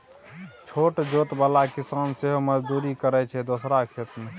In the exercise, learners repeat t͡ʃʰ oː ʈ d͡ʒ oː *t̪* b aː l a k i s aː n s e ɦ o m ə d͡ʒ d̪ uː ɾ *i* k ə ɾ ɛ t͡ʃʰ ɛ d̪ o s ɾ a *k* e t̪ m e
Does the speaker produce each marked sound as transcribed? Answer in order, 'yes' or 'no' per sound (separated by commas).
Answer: yes, yes, no